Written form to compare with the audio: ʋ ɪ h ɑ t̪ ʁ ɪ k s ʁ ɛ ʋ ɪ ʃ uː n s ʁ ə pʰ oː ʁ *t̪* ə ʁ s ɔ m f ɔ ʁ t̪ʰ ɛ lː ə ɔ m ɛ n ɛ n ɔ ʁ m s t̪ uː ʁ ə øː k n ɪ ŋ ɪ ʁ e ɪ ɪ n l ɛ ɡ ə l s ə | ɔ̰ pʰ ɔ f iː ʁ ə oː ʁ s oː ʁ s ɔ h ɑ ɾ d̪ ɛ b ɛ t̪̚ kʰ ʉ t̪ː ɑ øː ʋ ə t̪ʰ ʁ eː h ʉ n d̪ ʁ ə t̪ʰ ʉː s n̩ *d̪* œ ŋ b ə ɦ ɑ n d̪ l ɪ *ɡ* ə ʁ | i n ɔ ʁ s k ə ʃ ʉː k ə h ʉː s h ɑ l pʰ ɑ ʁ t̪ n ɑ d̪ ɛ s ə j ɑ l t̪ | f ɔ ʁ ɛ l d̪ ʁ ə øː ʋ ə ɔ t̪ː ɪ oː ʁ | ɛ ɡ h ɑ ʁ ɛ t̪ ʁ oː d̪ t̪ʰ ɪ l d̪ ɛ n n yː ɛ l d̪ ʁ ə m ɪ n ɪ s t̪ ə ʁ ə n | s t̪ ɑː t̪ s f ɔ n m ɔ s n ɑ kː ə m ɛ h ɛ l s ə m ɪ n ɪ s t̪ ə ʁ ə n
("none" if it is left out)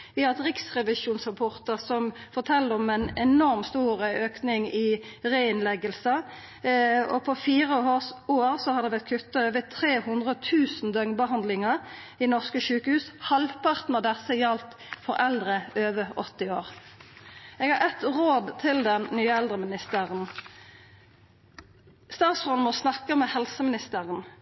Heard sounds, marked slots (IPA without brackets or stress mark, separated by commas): t̪, d̪, ŋ